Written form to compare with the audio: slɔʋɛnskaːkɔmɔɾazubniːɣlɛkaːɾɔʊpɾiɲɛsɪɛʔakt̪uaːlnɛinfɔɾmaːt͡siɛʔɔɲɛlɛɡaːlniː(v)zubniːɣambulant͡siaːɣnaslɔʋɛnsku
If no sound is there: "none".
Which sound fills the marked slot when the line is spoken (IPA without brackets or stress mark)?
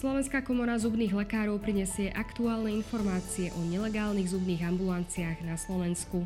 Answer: ɣ